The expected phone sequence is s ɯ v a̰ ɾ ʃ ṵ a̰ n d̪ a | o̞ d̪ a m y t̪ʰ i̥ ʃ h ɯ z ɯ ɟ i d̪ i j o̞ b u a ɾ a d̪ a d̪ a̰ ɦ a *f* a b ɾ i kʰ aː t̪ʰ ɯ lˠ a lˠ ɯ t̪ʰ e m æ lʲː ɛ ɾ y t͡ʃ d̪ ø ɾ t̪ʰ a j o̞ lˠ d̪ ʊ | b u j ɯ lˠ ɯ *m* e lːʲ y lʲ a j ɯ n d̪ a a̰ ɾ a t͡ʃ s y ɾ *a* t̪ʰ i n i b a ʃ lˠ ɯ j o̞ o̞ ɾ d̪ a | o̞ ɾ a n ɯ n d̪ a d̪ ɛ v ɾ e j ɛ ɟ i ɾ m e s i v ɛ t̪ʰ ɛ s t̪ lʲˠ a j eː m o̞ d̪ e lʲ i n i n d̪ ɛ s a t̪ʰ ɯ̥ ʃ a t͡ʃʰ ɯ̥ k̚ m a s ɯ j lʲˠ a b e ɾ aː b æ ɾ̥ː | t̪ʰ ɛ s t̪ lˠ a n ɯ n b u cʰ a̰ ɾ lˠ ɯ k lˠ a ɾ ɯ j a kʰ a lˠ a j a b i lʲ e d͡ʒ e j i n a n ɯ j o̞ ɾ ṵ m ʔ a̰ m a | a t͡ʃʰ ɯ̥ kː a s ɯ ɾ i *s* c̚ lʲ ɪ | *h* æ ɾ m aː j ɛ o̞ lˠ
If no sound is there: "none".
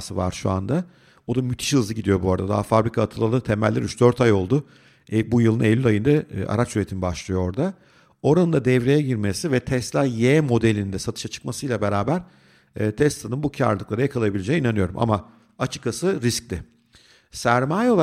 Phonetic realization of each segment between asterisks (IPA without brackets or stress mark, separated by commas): f, n, e, s, s